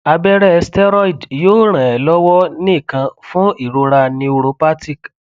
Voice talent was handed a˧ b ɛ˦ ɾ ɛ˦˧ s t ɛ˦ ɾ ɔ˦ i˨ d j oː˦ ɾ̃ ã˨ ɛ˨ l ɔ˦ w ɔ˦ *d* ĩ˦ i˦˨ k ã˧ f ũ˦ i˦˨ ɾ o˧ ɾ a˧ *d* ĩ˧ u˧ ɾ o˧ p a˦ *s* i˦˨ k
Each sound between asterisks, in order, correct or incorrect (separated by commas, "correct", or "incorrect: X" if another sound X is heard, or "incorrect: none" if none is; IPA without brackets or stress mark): incorrect: n, incorrect: n, incorrect: t